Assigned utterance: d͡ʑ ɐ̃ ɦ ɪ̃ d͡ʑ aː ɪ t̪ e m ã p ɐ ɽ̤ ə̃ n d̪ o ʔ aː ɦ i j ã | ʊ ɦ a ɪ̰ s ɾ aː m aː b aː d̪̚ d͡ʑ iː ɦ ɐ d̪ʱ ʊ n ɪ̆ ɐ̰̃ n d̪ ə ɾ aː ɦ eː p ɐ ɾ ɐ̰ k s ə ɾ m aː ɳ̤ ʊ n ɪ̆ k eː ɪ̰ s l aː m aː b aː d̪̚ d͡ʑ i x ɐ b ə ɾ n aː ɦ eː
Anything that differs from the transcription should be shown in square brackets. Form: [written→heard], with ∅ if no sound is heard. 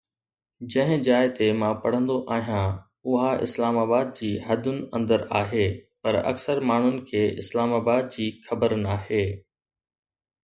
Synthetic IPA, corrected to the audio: d͡ʑ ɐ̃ ɦ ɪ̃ d͡ʑ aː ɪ t̪ e m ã p ɐ ɽ̤ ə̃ n d̪ o ʔ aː ɦ i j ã | ʊ ɦ a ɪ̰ s [ɾ→l] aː m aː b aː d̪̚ d͡ʑ iː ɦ ɐ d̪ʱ ʊ n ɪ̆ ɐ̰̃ n d̪ ə ɾ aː ɦ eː p ɐ ɾ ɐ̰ k s ə ɾ m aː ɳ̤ ʊ n ɪ̆ [k→kʰ] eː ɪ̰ s l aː m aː b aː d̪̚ d͡ʑ [i→iː] x ɐ b ə ɾ n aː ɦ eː